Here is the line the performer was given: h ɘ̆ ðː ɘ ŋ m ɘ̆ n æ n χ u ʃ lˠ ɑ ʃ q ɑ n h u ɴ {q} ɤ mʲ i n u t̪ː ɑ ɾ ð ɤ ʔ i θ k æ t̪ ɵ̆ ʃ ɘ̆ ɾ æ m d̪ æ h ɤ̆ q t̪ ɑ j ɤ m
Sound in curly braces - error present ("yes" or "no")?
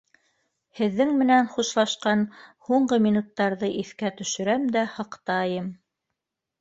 yes